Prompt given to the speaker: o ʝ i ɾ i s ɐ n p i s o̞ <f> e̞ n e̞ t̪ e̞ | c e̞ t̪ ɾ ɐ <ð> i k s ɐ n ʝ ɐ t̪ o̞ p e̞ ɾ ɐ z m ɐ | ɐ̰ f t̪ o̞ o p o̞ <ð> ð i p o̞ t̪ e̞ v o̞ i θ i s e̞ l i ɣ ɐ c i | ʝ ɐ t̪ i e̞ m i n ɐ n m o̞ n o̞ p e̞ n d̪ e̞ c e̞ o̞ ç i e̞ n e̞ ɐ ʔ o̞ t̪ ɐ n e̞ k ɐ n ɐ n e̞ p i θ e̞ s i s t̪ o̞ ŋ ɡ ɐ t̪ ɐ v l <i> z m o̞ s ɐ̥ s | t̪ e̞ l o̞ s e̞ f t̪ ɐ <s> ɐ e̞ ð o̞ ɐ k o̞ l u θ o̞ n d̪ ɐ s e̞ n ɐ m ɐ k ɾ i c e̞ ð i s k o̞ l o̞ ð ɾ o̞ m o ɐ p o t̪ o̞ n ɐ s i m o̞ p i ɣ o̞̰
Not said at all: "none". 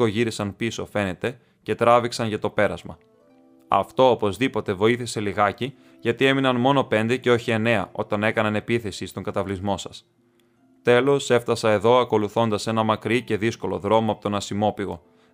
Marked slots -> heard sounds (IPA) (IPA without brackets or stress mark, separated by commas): f, v, z, i, s